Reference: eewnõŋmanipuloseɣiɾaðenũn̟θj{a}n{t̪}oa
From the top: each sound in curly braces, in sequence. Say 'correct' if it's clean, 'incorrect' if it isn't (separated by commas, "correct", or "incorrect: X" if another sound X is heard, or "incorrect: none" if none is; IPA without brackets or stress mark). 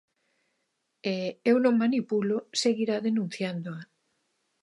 correct, incorrect: d̪